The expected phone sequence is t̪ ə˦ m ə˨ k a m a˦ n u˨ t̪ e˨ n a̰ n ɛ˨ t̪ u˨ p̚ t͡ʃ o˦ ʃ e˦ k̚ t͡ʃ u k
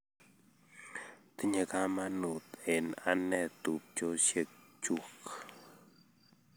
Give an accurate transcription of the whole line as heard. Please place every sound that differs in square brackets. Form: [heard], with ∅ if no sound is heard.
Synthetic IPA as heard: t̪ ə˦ [ɲ] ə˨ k a m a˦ n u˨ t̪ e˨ n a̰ n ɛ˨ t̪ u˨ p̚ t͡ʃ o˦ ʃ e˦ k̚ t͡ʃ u k